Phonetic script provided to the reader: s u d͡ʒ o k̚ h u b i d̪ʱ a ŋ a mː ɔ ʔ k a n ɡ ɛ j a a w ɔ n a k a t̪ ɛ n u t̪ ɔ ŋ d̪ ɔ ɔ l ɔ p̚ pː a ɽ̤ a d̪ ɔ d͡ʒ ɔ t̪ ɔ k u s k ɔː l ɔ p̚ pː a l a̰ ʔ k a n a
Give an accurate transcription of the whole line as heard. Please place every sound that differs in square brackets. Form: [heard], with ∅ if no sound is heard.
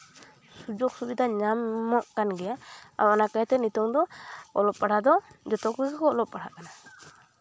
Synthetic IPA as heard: s u d͡ʒ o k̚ [s] u b i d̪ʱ a [ɲ] a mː ɔ ʔ k a n ɡ ɛ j a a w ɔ n a k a t̪ ɛ n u t̪ ɔ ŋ d̪ ɔ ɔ l ɔ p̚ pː a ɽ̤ a d̪ ɔ d͡ʒ ɔ t̪ ɔ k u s k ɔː l ɔ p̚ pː a [ɽ] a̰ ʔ k a n a